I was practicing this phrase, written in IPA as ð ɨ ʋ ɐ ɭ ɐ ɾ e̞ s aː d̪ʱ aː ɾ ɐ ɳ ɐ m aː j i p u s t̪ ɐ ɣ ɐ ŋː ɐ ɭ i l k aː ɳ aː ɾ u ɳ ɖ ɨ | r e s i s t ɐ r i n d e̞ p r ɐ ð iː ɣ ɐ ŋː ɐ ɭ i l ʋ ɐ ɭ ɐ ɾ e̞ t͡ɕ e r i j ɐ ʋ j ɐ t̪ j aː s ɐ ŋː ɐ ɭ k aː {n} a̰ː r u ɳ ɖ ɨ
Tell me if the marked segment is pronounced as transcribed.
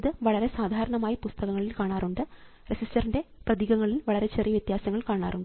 no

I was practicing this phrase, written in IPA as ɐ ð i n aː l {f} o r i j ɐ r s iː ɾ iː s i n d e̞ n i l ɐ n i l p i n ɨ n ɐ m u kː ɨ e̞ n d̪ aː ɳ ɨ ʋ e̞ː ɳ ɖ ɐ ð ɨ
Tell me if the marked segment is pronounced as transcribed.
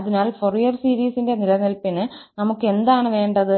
yes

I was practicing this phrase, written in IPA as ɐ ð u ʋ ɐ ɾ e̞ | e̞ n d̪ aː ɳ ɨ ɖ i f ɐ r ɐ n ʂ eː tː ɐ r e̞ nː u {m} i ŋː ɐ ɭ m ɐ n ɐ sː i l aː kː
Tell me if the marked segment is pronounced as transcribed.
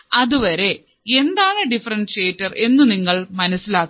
no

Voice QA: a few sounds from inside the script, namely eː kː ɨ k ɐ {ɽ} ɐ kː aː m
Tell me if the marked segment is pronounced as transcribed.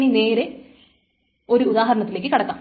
yes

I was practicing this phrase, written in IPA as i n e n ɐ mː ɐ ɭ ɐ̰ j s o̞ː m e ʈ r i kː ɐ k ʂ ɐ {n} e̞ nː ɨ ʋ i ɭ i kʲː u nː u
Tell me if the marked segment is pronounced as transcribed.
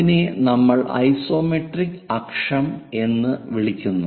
no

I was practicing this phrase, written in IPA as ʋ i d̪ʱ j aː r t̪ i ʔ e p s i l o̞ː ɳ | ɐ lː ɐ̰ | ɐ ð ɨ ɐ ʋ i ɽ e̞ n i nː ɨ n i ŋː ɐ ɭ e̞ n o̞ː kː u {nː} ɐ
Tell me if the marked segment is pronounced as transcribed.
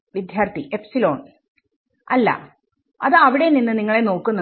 yes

